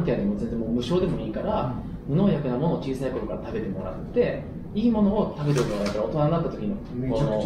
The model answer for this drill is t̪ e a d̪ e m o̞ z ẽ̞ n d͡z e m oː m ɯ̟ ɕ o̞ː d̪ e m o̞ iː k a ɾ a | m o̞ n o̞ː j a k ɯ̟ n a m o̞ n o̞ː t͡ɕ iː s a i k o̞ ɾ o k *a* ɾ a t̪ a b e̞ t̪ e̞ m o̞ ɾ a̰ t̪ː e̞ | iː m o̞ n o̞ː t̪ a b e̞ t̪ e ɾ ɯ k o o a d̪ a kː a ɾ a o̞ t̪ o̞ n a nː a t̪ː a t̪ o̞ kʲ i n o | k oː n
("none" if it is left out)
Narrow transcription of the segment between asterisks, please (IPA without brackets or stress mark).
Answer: a